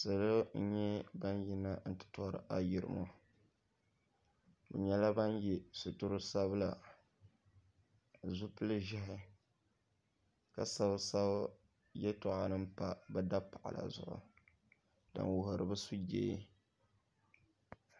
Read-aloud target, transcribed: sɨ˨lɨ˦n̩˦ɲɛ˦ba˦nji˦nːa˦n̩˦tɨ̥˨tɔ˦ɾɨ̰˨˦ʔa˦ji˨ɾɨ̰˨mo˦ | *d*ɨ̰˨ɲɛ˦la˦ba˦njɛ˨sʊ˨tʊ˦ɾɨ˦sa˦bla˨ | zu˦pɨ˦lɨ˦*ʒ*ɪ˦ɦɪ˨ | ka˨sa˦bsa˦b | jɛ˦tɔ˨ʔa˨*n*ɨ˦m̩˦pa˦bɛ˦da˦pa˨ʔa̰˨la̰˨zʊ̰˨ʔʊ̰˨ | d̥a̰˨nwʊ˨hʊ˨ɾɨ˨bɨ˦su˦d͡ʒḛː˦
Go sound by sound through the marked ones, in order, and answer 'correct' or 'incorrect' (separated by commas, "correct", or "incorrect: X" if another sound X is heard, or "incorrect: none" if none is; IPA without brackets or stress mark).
incorrect: b, correct, correct